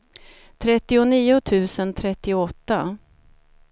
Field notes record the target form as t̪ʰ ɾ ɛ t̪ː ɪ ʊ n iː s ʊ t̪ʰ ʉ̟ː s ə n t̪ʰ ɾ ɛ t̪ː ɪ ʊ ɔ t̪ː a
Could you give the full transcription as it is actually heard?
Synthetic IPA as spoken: t̪ʰ ɾ ɛ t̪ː ɪ ʊ n iː ʊ t̪ʰ ʉ̟ː s ə n t̪ʰ ɾ ɛ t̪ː ɪ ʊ ɔ t̪ː a

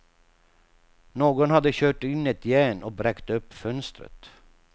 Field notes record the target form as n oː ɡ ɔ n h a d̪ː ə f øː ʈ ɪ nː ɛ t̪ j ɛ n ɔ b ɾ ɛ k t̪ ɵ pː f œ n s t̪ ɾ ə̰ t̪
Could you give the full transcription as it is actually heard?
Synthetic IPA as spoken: n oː ɡ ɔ n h a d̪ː ə ɕ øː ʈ ɪ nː ɛ t̪ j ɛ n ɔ b ɾ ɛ k t̪ ɵ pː f œ n s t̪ ɾ ə̰ t̪

